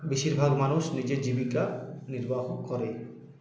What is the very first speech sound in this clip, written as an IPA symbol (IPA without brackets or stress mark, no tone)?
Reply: b